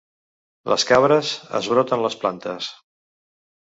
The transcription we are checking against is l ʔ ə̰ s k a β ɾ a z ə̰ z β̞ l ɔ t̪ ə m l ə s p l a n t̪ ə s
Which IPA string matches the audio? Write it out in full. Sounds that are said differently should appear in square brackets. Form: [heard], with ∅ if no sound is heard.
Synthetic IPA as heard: l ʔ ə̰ s k a β ɾ [ə] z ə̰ z β̞ [ɾ] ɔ t̪ ə [n] l ə s p l a n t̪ ə s